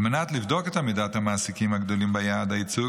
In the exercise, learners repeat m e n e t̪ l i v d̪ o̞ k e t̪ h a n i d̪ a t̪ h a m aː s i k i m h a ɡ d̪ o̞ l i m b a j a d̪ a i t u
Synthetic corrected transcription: m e n a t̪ l i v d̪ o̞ k e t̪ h a m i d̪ a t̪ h a m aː s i k i m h a ɡ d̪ o̞ l i m b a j a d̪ a i t͡s u